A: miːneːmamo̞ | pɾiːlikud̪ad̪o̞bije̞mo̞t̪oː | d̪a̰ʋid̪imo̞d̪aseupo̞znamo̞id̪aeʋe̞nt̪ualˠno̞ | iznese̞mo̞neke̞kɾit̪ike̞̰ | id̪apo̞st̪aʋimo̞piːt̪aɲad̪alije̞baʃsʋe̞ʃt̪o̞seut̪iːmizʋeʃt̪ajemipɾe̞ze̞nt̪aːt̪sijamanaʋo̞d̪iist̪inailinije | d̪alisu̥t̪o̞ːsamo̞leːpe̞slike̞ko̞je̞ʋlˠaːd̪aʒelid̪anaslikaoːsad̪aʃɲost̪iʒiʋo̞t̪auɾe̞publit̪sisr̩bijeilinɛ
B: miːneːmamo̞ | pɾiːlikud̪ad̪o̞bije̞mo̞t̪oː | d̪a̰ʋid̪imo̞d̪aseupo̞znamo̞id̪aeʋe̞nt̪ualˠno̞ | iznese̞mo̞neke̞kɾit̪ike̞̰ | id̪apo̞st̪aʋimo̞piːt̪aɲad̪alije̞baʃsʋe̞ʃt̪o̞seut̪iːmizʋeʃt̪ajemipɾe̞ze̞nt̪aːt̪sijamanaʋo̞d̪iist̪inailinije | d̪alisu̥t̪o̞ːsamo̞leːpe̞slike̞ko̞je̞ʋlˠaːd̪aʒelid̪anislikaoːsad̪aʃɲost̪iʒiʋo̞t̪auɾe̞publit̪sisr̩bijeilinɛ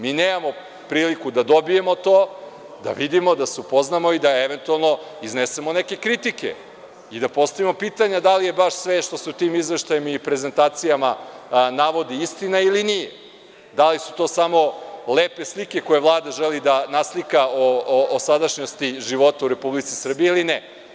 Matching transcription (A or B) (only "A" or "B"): A